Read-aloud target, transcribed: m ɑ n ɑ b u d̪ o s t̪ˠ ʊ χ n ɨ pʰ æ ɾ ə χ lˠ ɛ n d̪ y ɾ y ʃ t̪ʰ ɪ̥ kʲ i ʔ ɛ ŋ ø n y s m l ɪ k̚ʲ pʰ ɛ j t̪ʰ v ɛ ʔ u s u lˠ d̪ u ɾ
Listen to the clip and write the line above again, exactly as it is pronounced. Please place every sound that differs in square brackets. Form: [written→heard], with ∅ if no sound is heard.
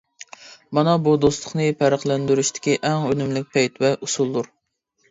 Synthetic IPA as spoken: m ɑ n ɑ b u d̪ o s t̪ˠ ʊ χ n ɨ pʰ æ ɾ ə χ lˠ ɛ n d̪ y ɾ y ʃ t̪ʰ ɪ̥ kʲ i ʔ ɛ ŋ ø n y [s→∅] m l ɪ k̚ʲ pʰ ɛ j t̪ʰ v ɛ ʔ u s u lˠ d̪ u ɾ